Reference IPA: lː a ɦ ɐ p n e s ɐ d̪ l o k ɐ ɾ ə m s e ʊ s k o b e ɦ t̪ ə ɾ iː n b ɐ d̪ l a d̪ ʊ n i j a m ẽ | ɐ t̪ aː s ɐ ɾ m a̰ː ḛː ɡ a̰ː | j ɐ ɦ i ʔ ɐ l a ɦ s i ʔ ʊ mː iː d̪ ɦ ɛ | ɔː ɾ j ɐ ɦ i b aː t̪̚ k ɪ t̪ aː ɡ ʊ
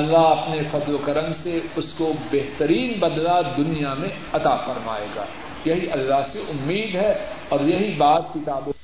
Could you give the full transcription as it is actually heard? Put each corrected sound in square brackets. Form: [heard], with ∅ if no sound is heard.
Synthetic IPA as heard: lː a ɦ ɐ p n e [f] ɐ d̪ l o k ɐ ɾ ə m s e ʊ s k o b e ɦ t̪ ə ɾ iː n b ɐ d̪ l a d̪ ʊ n i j a m ẽ | ɐ t̪ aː [f] ɐ ɾ m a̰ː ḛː ɡ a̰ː | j ɐ ɦ i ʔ ɐ [lː] a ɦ s [e] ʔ ʊ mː iː d̪ ɦ ɛ | ɔː ɾ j ɐ ɦ i b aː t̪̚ k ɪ t̪ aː [b] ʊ